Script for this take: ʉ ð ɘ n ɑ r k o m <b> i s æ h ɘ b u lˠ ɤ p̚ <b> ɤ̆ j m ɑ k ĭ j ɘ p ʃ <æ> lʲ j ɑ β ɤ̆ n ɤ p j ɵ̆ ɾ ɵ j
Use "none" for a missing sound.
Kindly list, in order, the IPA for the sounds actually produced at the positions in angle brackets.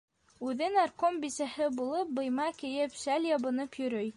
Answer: b, b, æ

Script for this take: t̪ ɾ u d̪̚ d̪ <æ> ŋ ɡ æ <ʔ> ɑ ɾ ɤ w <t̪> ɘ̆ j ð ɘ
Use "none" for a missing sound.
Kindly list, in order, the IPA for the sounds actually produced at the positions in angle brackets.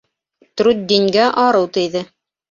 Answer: i, ʔ, t̪

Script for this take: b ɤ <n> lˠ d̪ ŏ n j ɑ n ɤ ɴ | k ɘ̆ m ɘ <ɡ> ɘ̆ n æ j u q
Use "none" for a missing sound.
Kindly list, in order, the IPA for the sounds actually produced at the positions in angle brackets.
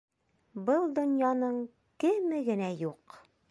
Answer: none, ɡ

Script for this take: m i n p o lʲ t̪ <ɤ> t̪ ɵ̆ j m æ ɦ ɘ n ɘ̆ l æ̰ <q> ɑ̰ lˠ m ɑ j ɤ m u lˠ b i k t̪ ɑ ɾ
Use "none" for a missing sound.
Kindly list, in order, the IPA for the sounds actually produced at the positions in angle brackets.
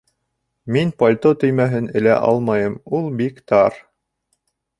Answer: o, ʔ

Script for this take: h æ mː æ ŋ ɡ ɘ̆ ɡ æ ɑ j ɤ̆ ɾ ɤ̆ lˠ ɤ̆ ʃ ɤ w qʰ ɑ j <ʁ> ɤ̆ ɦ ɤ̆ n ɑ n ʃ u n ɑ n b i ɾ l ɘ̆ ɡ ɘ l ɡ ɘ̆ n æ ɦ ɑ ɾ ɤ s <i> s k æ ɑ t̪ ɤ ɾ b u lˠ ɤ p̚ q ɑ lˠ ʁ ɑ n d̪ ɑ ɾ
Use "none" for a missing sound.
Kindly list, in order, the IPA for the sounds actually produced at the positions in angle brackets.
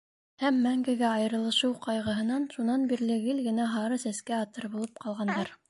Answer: ʁ, æ

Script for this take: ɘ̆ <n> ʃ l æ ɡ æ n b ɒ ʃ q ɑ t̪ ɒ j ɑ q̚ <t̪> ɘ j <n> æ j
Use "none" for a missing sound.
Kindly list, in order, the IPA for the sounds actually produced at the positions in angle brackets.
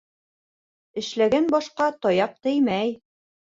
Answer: none, t̪, m

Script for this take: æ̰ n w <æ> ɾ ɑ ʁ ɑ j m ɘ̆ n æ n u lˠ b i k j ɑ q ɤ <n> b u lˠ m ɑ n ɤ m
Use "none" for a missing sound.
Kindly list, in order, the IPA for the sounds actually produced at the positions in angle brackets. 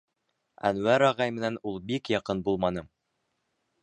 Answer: æ, n

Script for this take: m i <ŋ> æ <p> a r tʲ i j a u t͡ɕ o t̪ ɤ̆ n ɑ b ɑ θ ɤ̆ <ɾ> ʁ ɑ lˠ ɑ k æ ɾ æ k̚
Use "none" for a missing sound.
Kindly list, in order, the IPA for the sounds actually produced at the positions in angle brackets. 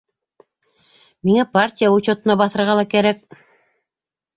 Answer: ŋ, p, ɾ

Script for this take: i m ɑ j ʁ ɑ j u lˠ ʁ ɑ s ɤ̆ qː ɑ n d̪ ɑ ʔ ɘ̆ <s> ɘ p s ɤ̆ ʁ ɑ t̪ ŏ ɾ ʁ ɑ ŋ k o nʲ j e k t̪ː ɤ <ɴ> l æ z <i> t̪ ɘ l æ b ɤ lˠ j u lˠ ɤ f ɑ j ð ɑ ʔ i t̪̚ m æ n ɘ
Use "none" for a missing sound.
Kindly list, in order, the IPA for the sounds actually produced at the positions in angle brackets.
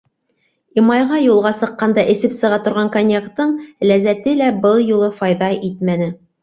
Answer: s, ɴ, æ

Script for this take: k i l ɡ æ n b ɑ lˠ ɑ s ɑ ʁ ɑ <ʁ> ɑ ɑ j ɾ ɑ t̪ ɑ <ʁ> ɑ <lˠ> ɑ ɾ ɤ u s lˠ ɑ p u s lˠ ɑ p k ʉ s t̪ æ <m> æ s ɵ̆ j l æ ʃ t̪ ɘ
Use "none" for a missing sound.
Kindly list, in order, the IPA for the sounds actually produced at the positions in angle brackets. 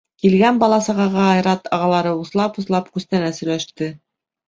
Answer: ʁ, ʁ, lˠ, n

